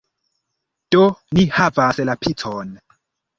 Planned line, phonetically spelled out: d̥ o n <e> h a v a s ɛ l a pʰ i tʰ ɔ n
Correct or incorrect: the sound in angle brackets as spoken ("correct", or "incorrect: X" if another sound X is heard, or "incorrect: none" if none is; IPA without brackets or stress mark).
incorrect: i